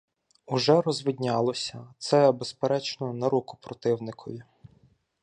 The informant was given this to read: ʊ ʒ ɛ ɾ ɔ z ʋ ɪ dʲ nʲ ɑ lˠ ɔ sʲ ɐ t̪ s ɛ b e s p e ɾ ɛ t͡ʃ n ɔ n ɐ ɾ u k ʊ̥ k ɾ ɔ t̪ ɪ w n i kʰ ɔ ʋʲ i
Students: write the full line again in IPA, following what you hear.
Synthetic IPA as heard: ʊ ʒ ɛ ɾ ɔ z ʋ ɪ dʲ nʲ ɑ lˠ ɔ sʲ ɐ t̪ s ɛ b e s p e ɾ ɛ t͡ʃ n ɔ n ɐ ɾ u k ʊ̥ p ɾ ɔ t̪ ɪ w n ɪ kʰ ɔ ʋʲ i